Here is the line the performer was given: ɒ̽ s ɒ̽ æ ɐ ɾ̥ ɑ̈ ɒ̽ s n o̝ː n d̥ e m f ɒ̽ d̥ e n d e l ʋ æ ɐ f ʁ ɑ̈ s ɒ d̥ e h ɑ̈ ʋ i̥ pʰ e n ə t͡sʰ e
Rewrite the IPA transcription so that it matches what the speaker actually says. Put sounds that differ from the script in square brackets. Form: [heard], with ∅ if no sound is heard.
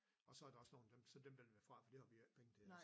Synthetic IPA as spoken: ɒ̽ s ɒ̽ æ ɐ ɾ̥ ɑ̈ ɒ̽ s n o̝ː n d̥ e m [s] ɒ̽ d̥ e [m] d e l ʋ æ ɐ f ʁ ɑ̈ [f] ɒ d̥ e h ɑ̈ ʋ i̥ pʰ e [ŋ] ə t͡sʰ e

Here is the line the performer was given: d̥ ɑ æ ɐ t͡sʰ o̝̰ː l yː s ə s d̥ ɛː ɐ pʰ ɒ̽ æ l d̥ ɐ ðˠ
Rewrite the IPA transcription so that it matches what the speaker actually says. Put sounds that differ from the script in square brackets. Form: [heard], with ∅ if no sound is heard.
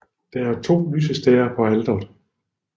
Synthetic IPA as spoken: d̥ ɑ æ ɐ t͡sʰ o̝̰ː l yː s ə s d̥ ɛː ɐ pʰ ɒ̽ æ l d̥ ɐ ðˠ

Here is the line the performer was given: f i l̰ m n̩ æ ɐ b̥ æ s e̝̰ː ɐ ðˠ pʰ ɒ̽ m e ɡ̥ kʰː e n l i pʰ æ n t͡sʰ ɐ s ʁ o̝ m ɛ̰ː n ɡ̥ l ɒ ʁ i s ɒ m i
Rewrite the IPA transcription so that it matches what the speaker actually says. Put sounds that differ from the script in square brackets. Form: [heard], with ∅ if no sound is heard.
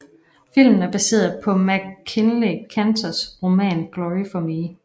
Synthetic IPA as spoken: f i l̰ m n̩ æ ɐ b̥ æ s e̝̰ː ɐ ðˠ pʰ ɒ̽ m [æ] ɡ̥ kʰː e n l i [kʰ] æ n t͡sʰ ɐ s ʁ o̝ m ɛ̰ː n ɡ̥ l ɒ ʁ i [f] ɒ m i

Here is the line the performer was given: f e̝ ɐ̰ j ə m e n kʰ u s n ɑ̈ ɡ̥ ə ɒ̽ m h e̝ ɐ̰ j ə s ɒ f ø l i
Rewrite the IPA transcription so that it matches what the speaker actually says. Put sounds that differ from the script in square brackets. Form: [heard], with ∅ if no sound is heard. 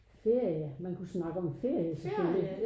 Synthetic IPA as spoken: f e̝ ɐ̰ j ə m [æ] n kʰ u s n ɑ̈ ɡ̥ ə ɒ̽ m [f] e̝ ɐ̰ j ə s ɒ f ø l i

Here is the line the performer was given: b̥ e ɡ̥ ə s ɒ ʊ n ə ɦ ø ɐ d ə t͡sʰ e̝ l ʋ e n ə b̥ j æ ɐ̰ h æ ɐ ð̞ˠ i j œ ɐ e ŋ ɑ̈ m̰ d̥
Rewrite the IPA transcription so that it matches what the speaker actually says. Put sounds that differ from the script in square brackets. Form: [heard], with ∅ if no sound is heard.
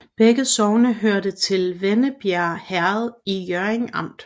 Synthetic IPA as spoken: b̥ e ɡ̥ ə s ɒ ʊ n ə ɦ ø ɐ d ə t͡sʰ e̝ l ʋ e n ə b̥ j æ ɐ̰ h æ ɐ ð̞ˠ i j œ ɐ e ŋ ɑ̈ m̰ d̥

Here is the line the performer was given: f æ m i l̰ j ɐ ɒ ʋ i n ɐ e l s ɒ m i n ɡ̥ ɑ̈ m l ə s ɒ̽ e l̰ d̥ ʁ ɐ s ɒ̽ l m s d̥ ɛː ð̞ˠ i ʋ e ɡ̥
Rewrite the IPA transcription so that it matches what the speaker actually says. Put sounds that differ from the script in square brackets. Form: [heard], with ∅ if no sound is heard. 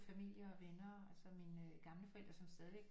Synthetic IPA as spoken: f æ m i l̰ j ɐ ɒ ʋ [e] n ɐ [æ] l s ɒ m i n ɡ̥ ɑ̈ m l ə [f] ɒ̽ e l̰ d̥ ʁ ɐ s ɒ̽ [∅] m s d̥ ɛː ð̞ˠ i ʋ e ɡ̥

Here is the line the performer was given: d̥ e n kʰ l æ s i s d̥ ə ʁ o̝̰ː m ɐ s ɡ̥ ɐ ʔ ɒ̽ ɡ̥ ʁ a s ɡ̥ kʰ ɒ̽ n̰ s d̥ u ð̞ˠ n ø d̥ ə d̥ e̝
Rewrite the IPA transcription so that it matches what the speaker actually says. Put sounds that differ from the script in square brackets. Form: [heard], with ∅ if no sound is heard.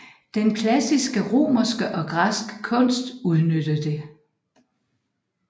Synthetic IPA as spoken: d̥ e n kʰ l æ s i s [ɡ̥] ə ʁ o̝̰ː m ɐ s ɡ̥ [ə] ʔ ɒ̽ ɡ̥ ʁ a s ɡ̥ kʰ [ɔ̽] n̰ s d̥ u ð̞ˠ n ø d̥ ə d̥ e̝

